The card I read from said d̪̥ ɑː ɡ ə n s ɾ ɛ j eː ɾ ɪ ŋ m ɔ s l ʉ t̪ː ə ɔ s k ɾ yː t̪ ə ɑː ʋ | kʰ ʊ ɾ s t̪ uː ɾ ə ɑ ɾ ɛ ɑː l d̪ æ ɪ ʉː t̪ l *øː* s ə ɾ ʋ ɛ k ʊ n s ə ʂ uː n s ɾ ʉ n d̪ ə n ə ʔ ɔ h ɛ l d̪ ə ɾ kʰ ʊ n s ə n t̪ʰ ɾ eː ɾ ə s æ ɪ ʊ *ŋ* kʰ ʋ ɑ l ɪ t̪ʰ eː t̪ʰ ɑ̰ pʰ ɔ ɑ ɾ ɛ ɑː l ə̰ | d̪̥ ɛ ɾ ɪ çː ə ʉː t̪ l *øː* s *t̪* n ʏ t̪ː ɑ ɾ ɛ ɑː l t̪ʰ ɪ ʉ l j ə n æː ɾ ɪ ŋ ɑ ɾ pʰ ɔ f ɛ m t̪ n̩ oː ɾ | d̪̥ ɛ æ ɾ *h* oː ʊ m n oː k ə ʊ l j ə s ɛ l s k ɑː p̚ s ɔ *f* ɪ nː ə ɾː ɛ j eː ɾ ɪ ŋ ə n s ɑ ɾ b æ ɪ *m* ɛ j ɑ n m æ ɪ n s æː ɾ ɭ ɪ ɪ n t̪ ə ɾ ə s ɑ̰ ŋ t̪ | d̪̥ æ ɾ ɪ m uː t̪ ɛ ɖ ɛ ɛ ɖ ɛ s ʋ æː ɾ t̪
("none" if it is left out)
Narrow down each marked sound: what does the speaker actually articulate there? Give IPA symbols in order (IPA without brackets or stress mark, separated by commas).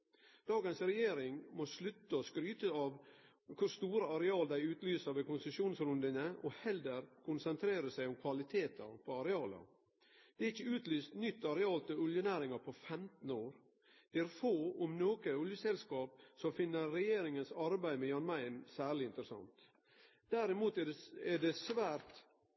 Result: yː, m, yː, t̪, f, f, m